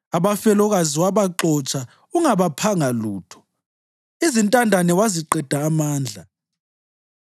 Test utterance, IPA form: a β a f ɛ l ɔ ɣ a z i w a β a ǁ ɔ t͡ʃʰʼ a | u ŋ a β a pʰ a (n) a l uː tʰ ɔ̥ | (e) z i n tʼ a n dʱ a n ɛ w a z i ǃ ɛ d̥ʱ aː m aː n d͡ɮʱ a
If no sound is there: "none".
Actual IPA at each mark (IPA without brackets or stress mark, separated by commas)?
ŋ, i